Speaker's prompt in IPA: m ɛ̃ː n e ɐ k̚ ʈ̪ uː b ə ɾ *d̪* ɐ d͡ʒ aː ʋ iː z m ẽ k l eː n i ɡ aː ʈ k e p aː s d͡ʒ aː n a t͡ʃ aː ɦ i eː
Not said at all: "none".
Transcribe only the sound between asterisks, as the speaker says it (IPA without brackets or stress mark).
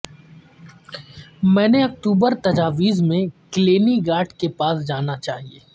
t̪